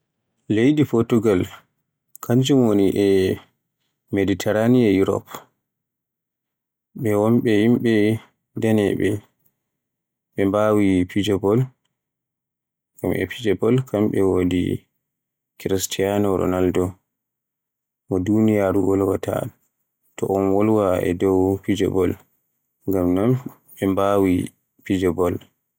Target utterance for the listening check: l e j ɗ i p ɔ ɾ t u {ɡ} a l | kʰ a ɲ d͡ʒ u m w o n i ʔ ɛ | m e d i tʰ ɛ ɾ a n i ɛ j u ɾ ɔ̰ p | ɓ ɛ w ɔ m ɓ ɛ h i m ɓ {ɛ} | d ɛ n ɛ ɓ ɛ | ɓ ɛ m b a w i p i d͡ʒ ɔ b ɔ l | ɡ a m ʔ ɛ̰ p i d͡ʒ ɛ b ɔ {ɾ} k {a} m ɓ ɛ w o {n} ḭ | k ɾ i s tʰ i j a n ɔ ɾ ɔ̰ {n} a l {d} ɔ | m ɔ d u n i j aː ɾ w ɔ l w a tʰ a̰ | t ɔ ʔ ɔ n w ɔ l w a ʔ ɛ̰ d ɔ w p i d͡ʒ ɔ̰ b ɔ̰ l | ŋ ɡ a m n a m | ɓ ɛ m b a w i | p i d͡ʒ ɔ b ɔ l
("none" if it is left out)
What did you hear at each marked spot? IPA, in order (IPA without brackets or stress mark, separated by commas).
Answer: ɡ, ɛ, l, a, d, n, d